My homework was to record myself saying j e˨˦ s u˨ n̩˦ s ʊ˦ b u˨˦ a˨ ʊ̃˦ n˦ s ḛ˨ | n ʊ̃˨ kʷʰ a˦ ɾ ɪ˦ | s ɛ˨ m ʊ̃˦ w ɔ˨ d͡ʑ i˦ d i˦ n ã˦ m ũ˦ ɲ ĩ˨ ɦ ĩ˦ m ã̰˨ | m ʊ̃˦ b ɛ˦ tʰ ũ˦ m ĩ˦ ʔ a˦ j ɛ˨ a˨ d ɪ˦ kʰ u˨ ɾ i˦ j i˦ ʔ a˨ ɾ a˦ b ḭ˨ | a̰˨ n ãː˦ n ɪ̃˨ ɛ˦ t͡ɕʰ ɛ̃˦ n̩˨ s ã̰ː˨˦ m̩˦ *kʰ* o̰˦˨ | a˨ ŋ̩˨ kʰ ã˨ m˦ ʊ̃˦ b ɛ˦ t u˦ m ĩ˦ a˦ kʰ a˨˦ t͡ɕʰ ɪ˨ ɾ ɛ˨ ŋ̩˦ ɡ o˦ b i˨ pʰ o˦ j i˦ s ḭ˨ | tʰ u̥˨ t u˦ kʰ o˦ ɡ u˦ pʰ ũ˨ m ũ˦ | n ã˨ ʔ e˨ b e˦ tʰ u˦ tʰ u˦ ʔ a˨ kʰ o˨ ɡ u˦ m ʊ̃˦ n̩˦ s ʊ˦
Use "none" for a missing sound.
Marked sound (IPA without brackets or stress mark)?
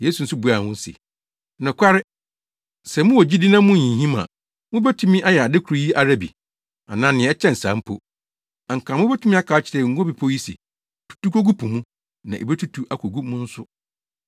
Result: pʰ